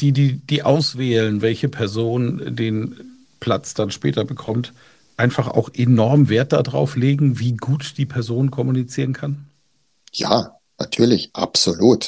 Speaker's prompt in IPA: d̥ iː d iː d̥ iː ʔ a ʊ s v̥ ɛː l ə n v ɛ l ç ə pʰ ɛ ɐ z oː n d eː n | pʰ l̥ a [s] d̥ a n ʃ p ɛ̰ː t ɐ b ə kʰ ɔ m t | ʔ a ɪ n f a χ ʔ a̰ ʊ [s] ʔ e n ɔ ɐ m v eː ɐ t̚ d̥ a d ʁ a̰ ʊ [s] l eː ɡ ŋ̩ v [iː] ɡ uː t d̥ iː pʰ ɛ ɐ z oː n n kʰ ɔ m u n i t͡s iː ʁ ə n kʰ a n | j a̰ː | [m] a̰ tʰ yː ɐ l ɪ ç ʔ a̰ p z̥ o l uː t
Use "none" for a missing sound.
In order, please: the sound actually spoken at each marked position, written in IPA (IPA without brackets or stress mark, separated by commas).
t͡s, x, f, iː, n